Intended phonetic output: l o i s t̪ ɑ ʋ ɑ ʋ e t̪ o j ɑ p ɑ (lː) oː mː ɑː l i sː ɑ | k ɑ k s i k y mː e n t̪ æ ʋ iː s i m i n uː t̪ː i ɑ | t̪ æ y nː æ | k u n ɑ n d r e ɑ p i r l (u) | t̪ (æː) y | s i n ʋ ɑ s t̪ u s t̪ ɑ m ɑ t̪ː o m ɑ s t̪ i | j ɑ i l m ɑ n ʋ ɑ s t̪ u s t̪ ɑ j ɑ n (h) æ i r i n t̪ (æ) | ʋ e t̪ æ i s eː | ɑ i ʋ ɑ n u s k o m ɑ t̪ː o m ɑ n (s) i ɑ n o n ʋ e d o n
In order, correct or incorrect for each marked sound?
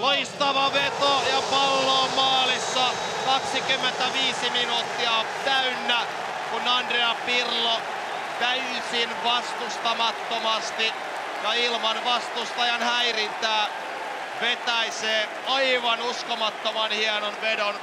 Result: correct, incorrect: o, incorrect: æ, correct, incorrect: æː, incorrect: h

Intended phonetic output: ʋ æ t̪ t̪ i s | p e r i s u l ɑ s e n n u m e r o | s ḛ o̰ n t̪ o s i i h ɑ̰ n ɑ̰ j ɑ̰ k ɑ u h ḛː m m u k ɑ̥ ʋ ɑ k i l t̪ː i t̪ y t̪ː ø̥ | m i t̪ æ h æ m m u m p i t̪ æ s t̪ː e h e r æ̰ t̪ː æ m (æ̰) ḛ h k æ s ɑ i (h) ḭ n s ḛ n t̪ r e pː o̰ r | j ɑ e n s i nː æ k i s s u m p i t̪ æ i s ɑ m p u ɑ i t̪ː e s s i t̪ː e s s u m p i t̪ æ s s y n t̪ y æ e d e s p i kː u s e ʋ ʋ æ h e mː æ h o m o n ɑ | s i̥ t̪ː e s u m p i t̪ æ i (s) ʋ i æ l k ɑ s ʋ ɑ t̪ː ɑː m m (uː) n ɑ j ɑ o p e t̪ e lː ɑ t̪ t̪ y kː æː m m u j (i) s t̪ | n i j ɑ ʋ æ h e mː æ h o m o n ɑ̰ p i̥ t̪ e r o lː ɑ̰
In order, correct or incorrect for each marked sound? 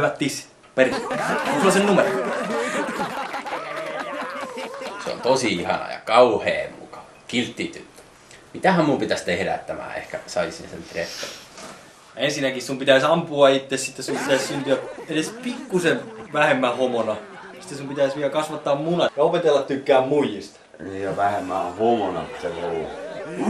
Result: incorrect: æ̰ː, incorrect: s, correct, incorrect: u, correct

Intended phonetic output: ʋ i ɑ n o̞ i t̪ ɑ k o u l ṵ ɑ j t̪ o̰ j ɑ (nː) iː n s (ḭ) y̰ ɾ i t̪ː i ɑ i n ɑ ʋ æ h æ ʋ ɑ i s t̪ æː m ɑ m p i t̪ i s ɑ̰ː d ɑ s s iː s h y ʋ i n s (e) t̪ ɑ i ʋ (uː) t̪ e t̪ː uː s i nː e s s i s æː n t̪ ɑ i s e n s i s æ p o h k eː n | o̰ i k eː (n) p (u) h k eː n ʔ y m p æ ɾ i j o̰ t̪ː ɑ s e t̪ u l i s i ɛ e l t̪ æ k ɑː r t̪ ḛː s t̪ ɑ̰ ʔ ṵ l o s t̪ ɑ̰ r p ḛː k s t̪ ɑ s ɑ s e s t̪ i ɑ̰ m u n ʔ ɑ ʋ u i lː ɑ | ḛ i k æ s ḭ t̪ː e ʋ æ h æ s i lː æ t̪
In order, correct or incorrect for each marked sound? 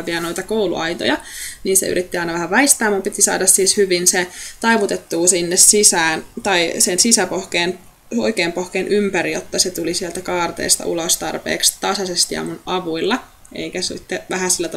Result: incorrect: n, incorrect: ḛ, correct, incorrect: u, incorrect: m, incorrect: o

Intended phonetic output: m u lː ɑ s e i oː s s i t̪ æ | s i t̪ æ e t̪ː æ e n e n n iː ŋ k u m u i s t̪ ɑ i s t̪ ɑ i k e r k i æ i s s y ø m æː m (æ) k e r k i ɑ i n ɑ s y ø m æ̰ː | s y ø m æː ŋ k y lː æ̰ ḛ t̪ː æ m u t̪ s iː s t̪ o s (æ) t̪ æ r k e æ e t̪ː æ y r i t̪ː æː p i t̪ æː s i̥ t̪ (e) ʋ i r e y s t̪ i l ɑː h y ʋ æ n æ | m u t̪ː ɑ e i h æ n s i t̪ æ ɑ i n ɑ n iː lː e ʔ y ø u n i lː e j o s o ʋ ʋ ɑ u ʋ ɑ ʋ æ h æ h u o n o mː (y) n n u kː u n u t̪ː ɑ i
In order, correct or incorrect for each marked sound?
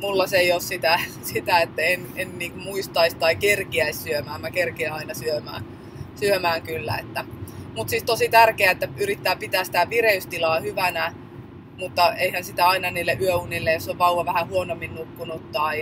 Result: correct, incorrect: i, incorrect: æ, incorrect: i

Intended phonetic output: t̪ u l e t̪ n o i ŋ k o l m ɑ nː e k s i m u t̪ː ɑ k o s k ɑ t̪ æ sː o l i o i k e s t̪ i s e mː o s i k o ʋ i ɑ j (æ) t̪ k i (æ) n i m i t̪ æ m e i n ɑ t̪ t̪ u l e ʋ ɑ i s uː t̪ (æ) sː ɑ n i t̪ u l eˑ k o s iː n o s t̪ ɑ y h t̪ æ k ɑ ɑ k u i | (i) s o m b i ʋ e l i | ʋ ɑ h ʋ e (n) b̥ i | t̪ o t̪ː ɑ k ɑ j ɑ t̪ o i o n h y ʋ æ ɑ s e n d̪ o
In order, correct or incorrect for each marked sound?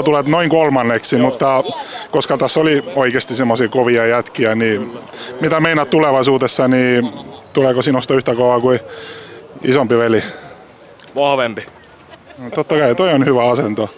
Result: correct, correct, incorrect: e, correct, incorrect: m

